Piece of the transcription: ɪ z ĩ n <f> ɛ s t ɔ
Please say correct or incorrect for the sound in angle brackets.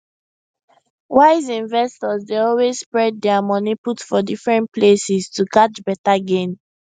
incorrect